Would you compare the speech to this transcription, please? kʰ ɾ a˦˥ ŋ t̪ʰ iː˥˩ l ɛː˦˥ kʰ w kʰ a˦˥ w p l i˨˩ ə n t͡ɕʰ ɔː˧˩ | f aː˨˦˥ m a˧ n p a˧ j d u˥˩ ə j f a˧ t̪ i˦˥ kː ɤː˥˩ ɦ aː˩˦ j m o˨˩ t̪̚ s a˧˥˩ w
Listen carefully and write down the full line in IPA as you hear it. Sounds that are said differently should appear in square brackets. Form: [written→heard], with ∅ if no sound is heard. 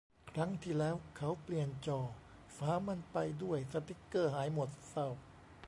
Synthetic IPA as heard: kʰ ɾ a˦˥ ŋ t̪ʰ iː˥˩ l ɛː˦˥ [kʰ→∅] w kʰ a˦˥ w p l i˨˩ ə n [t͡ɕʰ→t͡ɕ] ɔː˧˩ | f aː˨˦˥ m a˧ n p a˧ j d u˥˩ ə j [f→s] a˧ t̪ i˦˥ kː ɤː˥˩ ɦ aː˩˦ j m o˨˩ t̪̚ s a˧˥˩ w